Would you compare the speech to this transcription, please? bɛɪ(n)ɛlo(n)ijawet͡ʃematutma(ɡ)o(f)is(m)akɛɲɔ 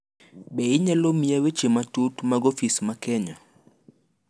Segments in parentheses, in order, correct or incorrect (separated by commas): incorrect, incorrect, correct, correct, correct